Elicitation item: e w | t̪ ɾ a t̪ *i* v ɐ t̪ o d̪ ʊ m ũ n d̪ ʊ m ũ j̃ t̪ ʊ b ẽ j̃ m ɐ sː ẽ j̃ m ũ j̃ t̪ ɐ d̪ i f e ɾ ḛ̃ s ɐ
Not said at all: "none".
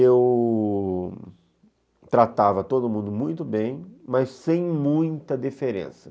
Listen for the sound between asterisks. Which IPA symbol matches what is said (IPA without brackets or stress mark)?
a